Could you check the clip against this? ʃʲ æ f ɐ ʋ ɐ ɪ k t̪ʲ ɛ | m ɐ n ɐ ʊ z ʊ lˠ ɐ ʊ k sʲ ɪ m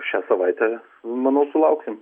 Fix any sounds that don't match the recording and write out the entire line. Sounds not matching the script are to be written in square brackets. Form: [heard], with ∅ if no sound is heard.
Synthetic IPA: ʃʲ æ [s] ɐ ʋ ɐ ɪ [∅] t̪ʲ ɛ | m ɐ n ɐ ʊ [s] ʊ lˠ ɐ ʊ k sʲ ɪ m